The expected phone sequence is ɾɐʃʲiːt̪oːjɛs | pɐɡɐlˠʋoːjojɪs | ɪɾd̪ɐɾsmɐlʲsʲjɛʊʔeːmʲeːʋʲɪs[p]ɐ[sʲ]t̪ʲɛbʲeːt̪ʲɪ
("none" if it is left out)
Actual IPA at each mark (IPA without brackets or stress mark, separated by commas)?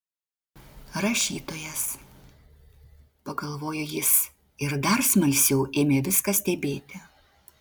k, sʲ